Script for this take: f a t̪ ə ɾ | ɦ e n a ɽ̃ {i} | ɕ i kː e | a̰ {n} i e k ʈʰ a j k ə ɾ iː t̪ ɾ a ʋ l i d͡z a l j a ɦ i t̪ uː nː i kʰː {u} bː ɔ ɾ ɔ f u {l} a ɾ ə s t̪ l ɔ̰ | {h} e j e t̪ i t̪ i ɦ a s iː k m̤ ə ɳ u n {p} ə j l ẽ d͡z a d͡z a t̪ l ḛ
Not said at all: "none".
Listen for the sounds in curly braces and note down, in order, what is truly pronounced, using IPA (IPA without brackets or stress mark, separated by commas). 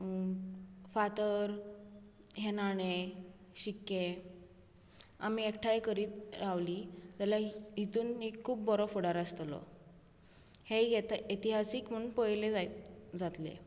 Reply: e, m, uː, ɽ, h, p